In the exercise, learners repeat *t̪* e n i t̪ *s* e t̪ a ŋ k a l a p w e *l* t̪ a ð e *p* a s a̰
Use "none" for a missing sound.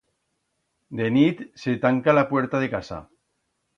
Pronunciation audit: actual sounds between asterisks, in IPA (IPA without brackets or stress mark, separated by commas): d̪, s, ɾ, k